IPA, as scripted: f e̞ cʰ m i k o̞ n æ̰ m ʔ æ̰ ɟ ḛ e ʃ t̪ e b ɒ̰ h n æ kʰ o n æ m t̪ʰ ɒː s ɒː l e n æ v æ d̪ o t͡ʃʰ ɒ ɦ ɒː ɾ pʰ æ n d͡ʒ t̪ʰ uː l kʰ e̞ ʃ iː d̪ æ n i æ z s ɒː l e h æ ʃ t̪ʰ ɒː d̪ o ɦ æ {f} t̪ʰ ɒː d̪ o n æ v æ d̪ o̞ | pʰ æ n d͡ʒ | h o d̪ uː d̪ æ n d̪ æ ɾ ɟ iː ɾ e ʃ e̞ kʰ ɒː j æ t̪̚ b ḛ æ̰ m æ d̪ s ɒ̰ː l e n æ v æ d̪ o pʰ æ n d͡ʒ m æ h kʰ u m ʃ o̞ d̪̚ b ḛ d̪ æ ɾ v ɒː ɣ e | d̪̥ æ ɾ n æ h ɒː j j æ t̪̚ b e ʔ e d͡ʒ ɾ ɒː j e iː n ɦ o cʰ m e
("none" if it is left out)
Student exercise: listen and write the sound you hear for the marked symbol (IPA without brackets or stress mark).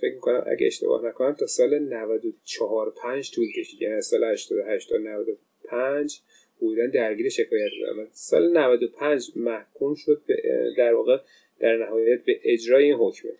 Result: ʃ